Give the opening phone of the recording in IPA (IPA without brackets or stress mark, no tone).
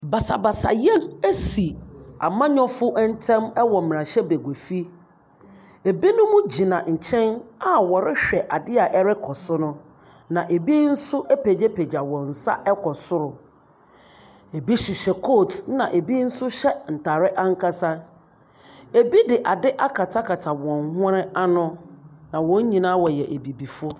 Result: b